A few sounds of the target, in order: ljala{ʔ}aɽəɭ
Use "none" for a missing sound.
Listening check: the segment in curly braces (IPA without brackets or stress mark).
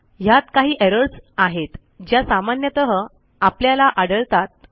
ʔ